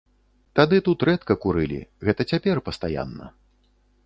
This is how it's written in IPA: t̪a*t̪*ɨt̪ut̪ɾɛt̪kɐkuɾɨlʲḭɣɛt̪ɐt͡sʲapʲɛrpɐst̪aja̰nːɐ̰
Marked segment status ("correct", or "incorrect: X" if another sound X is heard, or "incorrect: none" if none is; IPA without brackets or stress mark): incorrect: d̪